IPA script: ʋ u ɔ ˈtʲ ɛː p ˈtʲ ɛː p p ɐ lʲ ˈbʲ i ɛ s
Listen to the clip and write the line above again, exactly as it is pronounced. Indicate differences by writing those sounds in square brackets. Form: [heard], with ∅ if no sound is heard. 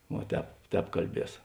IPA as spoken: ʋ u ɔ ˈtʲ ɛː p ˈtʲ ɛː p [k] ɐ lʲ ˈbʲ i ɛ s